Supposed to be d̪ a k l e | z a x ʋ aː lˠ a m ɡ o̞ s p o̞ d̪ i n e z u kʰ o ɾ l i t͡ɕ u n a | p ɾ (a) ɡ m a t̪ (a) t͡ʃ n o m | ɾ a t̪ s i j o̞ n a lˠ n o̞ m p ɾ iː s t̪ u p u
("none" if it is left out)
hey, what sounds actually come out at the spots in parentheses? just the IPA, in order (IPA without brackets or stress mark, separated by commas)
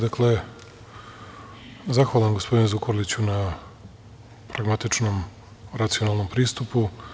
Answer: a, i